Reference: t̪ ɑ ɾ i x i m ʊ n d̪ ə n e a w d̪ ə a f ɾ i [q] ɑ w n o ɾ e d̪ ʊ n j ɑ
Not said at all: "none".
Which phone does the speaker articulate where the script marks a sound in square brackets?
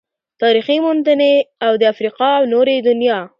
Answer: q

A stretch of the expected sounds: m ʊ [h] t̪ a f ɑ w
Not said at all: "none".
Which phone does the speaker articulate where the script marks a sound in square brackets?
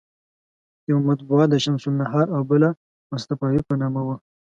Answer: s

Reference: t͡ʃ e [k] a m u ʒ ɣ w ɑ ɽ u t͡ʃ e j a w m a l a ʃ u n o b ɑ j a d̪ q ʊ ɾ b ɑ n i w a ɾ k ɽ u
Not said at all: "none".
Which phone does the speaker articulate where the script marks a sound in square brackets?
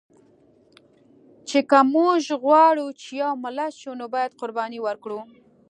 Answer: k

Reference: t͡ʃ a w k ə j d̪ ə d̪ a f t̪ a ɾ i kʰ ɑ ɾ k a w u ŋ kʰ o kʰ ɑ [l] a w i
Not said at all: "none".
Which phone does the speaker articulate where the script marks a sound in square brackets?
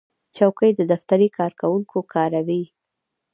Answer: ɾ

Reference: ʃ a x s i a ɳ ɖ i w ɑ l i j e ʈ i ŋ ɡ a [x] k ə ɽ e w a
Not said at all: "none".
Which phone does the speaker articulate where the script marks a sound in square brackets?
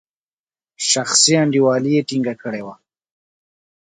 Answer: none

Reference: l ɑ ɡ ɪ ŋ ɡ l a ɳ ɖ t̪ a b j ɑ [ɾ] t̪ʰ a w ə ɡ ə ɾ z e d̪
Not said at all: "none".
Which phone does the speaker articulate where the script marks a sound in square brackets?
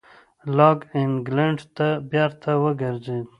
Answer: ɾ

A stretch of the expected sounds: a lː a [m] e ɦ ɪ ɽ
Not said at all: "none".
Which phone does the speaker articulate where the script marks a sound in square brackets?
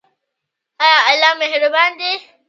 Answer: m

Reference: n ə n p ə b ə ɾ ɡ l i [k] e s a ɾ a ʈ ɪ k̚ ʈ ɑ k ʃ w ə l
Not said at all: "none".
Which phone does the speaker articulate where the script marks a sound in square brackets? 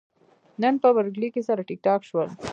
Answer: k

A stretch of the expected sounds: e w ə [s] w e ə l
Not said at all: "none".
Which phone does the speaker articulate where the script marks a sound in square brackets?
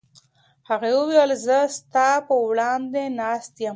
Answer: none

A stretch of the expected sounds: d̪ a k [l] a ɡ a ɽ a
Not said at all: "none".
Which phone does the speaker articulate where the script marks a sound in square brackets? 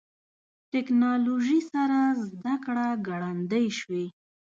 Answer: ɽ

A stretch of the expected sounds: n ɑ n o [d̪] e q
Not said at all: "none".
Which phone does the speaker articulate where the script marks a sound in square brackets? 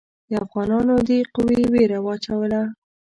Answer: d̪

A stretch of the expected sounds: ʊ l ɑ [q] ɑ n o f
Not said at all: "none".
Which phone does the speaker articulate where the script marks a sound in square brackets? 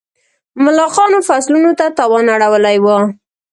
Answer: q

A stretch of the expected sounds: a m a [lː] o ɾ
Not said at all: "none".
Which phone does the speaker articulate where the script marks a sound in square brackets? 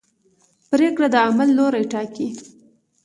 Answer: lː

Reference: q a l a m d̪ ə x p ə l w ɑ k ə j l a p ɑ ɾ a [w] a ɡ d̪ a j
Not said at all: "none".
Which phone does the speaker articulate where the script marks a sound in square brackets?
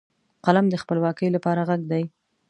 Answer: ɣ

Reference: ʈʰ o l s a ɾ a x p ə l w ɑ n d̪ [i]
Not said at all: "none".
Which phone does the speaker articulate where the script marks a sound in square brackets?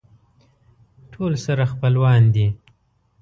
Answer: i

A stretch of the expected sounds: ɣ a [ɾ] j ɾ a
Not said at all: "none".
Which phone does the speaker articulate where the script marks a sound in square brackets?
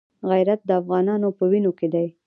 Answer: none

